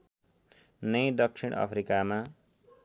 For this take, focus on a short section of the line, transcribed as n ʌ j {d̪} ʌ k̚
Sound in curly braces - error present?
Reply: no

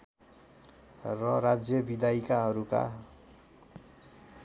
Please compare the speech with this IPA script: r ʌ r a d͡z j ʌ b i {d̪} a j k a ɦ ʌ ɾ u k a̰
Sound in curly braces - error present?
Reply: no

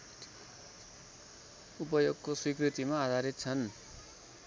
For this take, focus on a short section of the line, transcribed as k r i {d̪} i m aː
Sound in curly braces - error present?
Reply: yes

